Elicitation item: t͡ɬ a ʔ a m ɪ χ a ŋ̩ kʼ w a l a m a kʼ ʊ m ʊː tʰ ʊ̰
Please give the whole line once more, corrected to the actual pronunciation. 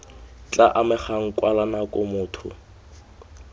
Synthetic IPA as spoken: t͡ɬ a ʔ a m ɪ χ a ŋ̩ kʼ w a l a n a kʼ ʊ m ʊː tʰ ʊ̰